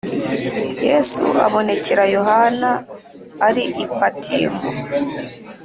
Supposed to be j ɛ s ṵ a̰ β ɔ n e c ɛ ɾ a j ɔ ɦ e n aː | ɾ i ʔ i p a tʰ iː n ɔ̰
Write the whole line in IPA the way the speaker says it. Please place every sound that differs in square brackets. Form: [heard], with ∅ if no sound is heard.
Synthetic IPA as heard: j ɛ s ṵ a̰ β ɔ n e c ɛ ɾ a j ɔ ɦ [a] n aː | ɾ i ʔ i p a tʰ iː [m] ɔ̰